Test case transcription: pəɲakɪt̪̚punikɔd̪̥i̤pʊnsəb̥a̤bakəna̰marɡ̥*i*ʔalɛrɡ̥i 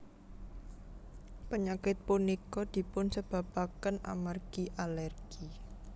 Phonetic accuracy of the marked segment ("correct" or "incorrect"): correct